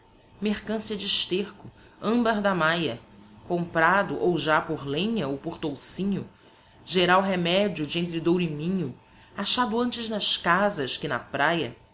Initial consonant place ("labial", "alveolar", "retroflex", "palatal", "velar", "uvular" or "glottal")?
labial